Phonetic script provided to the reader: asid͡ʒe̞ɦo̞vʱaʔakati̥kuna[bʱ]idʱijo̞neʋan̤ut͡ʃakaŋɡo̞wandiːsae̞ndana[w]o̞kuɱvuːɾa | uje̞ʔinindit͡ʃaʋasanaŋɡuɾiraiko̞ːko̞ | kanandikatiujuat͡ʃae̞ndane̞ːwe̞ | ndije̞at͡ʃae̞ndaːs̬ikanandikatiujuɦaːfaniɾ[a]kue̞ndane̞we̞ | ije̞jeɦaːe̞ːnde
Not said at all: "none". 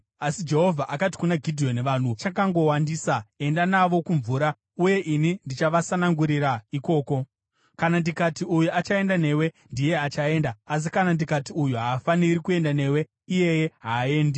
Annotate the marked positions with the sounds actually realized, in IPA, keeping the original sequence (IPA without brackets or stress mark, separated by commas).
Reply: ɡʱ, ʋ, i